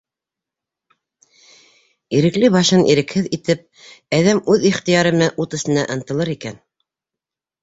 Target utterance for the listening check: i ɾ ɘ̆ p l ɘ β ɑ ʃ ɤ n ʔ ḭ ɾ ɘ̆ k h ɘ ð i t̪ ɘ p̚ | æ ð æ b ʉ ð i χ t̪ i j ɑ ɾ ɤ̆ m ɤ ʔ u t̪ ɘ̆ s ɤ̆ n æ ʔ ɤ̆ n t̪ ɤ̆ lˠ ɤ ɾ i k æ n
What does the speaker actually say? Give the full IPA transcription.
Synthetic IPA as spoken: i ɾ ɘ̆ k l ɘ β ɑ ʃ ɤ n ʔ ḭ ɾ ɘ̆ k h ɘ ð i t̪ ɘ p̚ | æ ð æ m ʉ ð i χ t̪ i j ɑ ɾ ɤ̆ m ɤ ʔ u t̪ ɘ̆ s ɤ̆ n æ ʔ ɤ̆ n t̪ ɤ̆ lˠ ɤ ɾ i k æ n